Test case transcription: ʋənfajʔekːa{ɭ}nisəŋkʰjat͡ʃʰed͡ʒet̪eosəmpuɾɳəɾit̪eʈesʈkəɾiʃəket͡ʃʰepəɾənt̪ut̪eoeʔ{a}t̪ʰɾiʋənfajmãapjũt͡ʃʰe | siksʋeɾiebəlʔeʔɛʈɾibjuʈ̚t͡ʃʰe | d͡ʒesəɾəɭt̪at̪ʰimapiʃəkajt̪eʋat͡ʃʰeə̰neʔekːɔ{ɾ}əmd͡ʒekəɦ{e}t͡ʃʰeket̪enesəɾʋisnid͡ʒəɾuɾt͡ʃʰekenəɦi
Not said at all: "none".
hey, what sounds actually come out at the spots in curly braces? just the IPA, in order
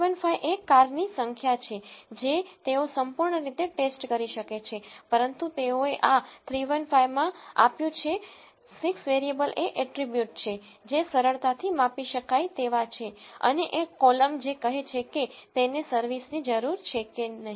ɾ, a, l, e

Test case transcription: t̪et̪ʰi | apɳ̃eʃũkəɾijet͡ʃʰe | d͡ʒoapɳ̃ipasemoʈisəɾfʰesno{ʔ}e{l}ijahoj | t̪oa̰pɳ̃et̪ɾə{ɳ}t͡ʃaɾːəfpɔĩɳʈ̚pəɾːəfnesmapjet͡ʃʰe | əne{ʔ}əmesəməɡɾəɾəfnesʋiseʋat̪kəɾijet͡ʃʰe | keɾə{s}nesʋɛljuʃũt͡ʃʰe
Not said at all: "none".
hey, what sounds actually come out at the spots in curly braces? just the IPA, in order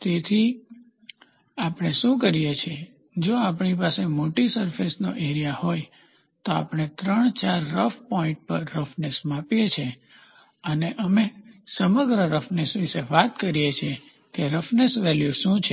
ʔ, ɾ, ɳ, ʔ, f

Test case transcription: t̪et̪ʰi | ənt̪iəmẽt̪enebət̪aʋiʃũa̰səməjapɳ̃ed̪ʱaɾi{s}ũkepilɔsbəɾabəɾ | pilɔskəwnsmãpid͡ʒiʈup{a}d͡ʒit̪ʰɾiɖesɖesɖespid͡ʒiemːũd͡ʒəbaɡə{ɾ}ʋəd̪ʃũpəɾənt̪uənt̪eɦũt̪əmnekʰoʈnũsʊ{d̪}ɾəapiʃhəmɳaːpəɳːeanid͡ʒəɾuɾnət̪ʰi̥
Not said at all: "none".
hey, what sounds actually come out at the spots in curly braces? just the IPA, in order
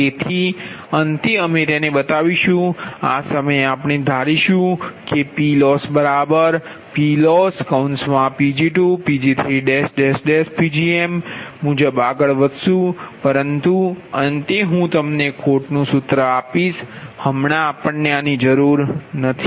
ʃ, i, ɭ, t̪

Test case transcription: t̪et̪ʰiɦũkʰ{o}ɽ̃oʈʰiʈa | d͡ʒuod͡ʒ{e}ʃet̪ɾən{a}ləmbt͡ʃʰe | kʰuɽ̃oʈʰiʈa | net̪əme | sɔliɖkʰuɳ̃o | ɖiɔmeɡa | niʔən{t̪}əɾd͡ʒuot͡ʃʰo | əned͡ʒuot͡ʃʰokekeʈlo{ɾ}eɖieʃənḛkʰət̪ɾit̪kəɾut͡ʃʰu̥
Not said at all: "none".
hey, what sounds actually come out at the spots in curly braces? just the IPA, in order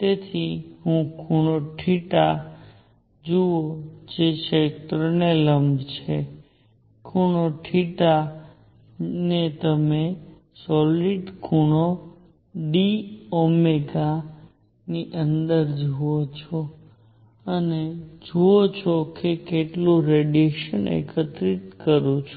u, e, e, d̪, ɾ

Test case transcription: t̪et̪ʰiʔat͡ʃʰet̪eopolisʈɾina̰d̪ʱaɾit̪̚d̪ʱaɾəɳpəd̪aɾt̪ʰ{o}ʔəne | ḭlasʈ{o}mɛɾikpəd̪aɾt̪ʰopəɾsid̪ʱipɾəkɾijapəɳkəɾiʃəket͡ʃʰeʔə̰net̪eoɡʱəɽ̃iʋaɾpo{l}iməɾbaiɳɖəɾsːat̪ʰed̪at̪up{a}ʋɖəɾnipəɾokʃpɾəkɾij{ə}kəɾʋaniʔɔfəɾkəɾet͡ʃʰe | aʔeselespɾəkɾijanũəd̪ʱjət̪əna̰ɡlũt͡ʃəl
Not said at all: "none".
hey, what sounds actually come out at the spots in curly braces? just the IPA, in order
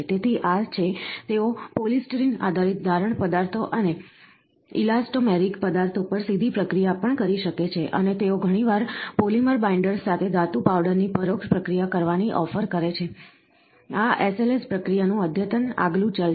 o, o, l, a, a

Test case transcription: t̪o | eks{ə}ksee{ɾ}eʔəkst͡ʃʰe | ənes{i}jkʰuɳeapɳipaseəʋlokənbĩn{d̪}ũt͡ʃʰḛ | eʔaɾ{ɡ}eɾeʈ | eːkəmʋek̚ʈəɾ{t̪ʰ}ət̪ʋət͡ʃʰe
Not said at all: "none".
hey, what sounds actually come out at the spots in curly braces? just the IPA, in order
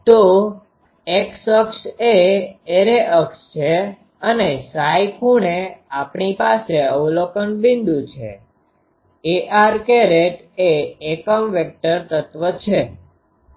ə, ɾ, a, d̪, k, t̪

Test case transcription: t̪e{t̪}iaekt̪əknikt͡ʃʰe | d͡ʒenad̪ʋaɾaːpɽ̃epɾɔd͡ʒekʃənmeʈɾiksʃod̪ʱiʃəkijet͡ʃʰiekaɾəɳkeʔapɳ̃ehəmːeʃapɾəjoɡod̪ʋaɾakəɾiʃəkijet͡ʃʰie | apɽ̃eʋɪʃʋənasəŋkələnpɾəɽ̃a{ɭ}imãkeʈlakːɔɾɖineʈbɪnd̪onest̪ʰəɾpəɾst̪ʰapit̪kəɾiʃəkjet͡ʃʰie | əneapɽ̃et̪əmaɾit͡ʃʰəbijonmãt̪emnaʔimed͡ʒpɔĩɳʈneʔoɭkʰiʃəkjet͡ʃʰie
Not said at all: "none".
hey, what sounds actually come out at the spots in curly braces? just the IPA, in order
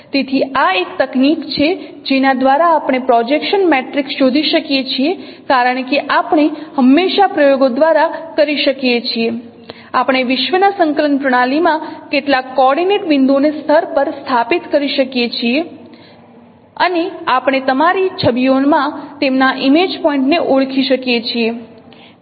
t̪ʰ, l

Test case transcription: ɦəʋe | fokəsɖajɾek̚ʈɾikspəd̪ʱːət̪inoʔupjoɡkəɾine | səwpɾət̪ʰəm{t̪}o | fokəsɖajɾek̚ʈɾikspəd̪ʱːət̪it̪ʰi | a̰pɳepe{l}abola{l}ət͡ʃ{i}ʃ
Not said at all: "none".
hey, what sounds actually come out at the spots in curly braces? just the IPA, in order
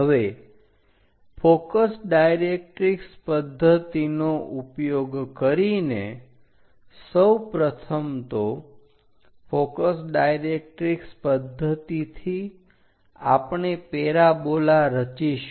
t̪, ɾ, ɾ, i

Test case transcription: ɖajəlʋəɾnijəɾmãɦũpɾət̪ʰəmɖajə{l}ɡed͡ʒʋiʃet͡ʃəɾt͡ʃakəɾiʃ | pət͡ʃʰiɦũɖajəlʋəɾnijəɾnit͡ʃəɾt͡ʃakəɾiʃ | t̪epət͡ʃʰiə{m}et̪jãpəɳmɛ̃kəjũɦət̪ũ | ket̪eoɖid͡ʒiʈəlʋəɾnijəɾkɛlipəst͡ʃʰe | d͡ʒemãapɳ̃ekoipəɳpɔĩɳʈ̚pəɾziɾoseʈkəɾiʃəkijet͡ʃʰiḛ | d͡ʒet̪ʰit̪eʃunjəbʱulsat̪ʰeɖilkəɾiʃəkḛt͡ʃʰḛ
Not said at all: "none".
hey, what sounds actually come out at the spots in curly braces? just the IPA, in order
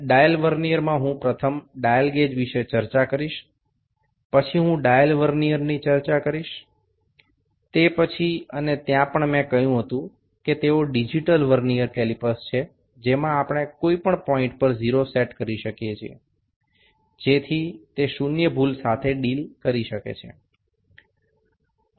l, n

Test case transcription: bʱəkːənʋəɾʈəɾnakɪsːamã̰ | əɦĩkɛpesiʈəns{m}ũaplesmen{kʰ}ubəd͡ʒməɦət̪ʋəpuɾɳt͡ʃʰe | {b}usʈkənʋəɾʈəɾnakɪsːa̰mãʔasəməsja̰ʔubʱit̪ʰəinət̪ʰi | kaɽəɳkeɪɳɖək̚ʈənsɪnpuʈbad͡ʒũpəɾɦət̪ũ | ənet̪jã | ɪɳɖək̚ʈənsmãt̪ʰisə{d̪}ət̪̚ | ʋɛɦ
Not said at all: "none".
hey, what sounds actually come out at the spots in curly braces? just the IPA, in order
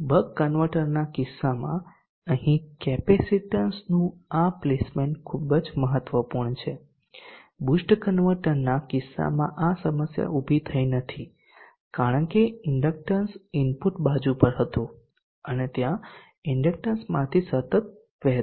n, kʰ, b, t̪

